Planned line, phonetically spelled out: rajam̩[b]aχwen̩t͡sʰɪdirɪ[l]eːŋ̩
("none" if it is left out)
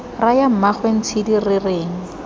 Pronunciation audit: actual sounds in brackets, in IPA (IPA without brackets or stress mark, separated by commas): m, r